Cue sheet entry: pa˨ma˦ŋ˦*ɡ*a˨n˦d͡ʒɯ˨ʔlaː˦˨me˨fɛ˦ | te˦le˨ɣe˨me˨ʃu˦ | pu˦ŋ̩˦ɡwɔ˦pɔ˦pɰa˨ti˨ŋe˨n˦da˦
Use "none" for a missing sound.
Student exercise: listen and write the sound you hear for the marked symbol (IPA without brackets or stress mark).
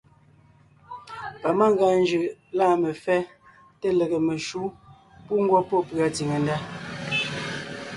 ɡ